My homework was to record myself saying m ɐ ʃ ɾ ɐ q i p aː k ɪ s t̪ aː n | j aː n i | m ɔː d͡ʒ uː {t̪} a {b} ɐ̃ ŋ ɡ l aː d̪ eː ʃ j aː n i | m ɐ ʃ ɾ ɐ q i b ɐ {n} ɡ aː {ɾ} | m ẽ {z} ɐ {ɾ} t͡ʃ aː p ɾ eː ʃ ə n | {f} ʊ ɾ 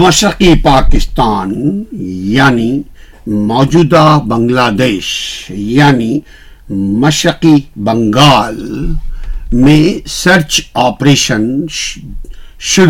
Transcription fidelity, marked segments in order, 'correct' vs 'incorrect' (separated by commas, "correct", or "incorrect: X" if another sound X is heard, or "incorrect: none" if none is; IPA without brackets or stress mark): incorrect: d̪, correct, incorrect: ŋ, incorrect: l, incorrect: s, correct, incorrect: ʃ